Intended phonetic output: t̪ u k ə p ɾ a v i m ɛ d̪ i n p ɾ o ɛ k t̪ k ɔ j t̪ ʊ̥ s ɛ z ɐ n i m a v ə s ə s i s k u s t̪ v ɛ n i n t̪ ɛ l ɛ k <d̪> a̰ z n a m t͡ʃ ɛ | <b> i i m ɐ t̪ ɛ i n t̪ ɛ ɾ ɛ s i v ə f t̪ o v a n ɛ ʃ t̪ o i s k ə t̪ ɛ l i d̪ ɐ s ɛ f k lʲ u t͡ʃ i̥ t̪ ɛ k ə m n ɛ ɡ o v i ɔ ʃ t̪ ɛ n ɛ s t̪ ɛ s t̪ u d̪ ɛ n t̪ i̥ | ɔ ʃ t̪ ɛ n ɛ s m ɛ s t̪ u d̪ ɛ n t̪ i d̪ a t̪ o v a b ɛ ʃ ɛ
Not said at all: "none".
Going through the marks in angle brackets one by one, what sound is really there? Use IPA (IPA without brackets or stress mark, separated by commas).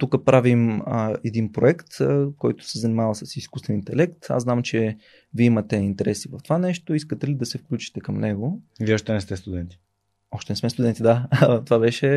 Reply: t̪, v